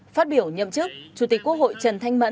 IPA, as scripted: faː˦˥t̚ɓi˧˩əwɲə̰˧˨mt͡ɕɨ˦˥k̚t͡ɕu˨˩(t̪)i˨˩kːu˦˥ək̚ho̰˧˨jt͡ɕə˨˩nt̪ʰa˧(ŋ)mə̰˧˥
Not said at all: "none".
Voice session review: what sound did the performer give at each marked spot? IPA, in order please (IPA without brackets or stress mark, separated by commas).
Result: t̪, ŋ